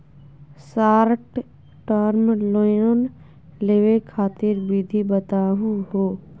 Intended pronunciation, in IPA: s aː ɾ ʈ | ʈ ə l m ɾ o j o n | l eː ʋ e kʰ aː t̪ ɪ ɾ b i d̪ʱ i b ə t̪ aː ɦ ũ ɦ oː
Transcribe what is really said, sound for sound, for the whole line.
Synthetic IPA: s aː ɾ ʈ | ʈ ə ɾ m l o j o n | l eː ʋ e kʰ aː t̪ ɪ ɾ b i d̪ʱ i b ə t̪ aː ɦ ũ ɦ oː